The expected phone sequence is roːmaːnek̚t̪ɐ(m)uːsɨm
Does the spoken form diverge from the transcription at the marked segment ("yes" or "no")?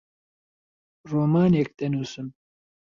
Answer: yes